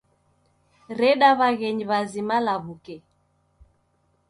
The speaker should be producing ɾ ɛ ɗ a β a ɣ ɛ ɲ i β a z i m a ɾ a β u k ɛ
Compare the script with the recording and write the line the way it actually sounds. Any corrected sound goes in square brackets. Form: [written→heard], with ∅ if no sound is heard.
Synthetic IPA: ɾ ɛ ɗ a β a ɣ ɛ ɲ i β a z i m a [ɾ→l] a β u k ɛ